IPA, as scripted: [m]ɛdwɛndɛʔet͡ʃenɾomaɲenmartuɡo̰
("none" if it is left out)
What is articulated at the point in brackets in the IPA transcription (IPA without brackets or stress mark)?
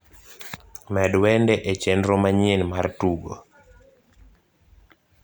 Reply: m